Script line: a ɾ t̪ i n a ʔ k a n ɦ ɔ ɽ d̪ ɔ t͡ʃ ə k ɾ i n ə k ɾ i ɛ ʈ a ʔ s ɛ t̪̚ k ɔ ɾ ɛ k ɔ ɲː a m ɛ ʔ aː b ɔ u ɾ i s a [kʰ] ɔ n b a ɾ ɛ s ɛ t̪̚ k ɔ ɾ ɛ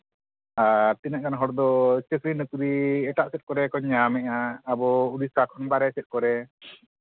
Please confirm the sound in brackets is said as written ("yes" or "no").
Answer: yes